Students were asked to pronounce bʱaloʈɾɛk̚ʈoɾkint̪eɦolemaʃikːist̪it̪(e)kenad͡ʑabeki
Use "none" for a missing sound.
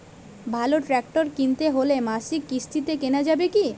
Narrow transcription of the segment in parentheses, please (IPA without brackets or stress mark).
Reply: e